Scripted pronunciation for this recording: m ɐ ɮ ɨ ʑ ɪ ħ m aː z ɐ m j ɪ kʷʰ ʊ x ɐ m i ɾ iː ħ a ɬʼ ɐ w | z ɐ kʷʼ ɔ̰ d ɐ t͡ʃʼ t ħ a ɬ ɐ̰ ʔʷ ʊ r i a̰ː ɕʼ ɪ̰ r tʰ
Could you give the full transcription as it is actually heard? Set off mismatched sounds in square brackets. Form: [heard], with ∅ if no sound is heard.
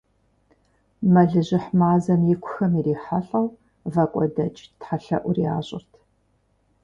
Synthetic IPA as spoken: m ɐ ɮ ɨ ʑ ɪ ħ m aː z ɐ m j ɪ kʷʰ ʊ x ɐ m i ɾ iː ħ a ɬʼ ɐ w | [v] ɐ kʷʼ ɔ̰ d ɐ t͡ʃʼ t ħ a ɬ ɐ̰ ʔʷ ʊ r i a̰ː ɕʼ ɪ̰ r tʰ